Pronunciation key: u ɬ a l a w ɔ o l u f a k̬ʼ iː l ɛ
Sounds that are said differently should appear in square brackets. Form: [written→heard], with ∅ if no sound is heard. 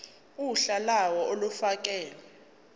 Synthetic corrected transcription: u ɬ a l a w ɔ o l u f a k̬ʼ [iː→ɛː] l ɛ